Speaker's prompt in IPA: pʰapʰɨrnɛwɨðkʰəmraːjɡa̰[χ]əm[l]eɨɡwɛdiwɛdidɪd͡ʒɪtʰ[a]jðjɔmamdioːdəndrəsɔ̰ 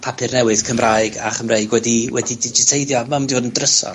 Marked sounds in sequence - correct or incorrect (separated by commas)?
correct, incorrect, incorrect